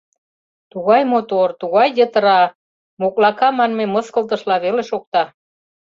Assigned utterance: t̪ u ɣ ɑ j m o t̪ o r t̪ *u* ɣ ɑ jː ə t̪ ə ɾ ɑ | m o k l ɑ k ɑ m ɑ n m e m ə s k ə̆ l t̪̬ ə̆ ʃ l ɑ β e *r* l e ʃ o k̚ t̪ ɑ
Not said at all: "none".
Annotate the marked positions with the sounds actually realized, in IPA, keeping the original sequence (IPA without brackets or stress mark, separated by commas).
u, none